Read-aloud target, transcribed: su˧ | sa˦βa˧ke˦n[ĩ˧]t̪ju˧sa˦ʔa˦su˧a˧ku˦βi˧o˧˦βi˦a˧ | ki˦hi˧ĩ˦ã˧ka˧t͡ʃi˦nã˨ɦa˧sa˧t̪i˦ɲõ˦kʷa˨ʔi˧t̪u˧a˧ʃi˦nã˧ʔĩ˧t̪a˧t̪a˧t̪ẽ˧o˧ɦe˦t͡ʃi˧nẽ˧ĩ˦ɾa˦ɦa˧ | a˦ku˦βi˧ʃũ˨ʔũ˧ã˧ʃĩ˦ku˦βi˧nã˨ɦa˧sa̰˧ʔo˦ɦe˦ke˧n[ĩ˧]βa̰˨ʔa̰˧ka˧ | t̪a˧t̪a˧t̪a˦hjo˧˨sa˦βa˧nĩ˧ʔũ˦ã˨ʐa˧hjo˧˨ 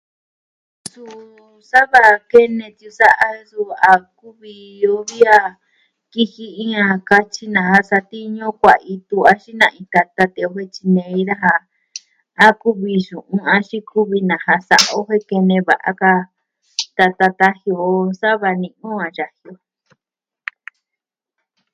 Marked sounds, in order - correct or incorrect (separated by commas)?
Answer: incorrect, incorrect